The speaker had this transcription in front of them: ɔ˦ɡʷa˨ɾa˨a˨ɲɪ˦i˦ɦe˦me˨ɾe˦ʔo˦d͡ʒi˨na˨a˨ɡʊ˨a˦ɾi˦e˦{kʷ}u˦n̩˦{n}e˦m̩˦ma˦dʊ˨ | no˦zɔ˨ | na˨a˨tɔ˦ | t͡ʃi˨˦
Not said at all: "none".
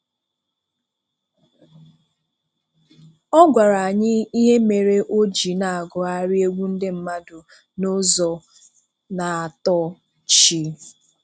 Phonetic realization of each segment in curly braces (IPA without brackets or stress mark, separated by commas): ɡʷ, d